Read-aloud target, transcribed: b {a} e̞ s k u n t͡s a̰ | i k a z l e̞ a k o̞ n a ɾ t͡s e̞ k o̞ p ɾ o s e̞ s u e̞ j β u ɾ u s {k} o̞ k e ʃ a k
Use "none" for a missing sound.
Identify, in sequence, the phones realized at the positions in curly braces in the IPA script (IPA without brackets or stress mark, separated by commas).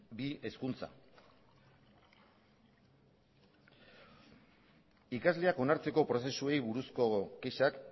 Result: i, k